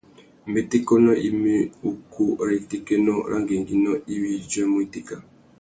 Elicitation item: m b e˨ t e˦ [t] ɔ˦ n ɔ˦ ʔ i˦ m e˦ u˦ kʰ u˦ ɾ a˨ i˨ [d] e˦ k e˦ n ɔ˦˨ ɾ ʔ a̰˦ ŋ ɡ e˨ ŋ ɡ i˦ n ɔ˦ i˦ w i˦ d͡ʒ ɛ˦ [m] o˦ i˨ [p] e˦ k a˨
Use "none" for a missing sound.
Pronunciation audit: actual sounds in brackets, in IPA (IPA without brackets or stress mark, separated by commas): k, t, m, t